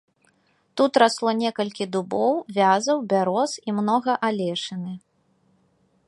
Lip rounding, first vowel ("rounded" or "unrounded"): rounded